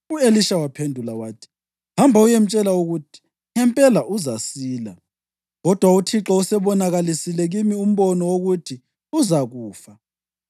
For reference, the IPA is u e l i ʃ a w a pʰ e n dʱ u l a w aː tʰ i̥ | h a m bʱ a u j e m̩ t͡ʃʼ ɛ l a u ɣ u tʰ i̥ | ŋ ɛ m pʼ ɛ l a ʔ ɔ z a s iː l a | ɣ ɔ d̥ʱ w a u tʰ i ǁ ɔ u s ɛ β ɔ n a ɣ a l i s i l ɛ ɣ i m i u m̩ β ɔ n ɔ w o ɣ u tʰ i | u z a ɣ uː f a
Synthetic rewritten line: u e l i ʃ a w a pʰ e n dʱ u l a w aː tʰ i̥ | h a m bʱ a u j e m̩ t͡ʃʼ ɛ l a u ɣ u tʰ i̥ | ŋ ɛ m pʼ ɛ l a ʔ u z a s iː l a | ɣ ɔ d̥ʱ w a u tʰ i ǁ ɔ u s ɛ β ɔ n a ɣ a l i s i l ɛ ɣ i m i u m̩ β ɔ n ɔ w o ɣ u tʰ i | u z a ɣ uː f a